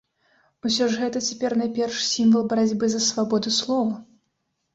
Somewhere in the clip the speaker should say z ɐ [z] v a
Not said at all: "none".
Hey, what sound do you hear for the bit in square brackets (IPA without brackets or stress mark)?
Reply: s